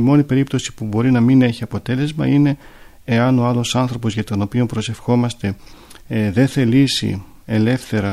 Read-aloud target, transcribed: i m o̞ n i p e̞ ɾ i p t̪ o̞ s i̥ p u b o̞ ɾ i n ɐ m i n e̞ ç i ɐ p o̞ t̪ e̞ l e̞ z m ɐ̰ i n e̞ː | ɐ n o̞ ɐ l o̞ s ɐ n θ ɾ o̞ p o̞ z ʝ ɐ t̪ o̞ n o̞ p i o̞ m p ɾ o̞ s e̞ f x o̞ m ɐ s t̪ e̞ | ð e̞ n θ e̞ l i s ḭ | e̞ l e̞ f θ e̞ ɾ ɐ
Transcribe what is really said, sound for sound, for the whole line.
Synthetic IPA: i m o̞ n i p e̞ ɾ i p t̪ o̞ s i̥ p u b o̞ ɾ i n ɐ m i n e̞ ç i ɐ p o̞ t̪ e̞ l e̞ z m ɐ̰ i n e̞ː | ɐ n o̞ ɐ l o̞ s ɐ n θ ɾ o̞ p o̞ z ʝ ɐ t̪ o̞ n o̞ p i o̞ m p ɾ o̞ s e̞ f x o̞ m ɐ s t̪ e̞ | ð e̞ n θ e̞ l i s ḭ | e̞ l e̞ f θ e̞ ɾ ɐ